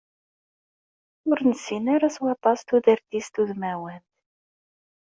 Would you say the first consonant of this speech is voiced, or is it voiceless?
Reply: voiced